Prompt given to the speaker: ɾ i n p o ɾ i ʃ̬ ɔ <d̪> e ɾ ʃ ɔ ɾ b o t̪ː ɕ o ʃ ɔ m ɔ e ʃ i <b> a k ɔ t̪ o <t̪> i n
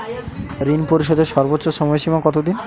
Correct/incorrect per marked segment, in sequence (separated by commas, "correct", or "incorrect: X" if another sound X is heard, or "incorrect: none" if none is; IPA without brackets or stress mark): correct, incorrect: m, incorrect: d̪